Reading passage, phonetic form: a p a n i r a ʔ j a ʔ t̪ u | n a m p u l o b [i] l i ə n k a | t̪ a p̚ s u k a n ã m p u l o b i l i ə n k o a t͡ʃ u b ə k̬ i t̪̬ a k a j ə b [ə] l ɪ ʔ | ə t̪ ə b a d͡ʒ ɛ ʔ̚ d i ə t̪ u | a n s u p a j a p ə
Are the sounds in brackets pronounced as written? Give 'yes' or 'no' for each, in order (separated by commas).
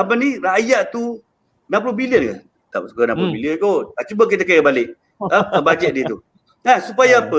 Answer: yes, no